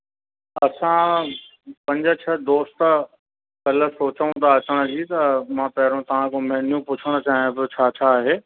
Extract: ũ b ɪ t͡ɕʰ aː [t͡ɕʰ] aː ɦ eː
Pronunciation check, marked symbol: correct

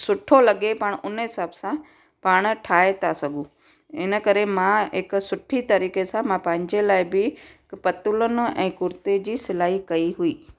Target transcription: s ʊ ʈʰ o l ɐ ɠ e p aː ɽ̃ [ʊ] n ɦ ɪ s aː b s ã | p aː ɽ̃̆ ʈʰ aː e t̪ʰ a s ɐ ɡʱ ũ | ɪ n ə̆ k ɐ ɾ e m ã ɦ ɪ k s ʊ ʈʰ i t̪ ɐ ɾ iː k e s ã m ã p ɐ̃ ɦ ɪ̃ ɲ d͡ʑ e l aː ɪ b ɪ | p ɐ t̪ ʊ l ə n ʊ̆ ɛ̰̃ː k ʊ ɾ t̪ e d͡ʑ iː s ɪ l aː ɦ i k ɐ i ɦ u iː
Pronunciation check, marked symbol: correct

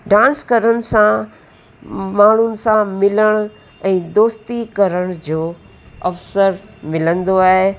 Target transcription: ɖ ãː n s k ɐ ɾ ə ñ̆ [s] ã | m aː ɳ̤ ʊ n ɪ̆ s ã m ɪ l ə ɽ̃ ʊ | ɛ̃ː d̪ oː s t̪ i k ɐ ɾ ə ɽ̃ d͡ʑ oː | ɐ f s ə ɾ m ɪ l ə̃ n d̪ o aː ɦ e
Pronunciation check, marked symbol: correct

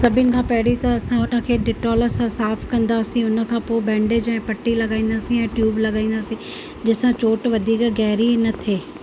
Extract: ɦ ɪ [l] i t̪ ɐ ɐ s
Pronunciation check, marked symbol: incorrect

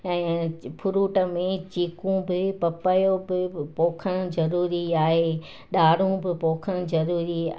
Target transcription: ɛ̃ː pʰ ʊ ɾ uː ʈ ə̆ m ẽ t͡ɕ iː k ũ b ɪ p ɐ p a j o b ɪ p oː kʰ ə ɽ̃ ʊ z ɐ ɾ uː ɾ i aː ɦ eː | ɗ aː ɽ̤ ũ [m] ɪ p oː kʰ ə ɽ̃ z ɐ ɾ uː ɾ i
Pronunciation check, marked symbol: incorrect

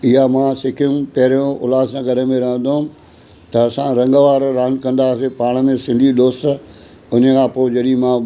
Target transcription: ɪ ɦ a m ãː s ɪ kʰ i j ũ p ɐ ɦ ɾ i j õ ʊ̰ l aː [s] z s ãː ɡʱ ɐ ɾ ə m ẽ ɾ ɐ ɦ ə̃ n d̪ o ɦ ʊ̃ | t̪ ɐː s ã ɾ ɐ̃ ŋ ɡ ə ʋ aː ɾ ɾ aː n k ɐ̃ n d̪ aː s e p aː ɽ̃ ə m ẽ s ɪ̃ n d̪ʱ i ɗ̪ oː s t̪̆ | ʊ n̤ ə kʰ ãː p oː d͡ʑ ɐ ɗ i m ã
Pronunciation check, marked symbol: incorrect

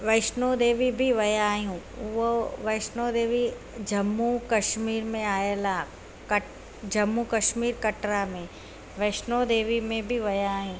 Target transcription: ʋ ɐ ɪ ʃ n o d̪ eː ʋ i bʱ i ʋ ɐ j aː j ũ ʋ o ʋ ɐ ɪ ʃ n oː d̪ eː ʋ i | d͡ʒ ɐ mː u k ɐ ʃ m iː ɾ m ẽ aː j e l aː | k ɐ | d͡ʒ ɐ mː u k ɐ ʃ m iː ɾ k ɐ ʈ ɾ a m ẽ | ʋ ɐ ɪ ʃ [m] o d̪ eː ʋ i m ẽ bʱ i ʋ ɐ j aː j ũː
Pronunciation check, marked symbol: incorrect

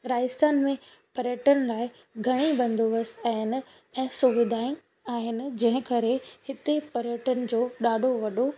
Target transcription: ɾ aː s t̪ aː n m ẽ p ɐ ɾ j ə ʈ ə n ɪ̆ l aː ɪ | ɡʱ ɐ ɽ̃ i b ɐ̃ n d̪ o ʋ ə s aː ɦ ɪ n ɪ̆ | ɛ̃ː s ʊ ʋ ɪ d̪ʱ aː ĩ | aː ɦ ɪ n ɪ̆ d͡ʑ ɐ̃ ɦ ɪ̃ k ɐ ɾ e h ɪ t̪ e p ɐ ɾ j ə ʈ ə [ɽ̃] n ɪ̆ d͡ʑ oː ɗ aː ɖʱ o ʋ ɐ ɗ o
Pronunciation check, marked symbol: incorrect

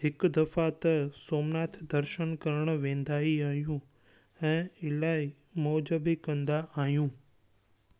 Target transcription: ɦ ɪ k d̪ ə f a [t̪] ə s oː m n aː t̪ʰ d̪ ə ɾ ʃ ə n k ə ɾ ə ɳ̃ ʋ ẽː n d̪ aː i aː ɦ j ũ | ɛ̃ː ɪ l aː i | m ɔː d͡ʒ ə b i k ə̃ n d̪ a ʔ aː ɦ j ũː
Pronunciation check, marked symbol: correct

